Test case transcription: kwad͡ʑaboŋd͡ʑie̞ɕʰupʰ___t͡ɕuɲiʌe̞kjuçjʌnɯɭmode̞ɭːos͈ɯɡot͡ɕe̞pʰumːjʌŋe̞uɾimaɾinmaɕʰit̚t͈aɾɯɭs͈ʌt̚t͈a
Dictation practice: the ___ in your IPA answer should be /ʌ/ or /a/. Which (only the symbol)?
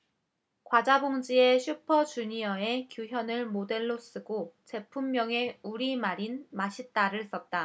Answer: ʌ